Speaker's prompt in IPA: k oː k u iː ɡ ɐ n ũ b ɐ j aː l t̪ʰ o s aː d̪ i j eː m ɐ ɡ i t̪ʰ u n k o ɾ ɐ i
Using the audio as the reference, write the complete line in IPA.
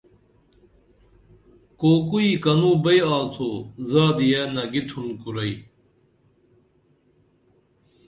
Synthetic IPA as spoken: k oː k u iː k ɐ n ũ b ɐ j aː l t̪ʰ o z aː d̪ i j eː n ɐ ɡ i t̪ʰ u n k u ɾ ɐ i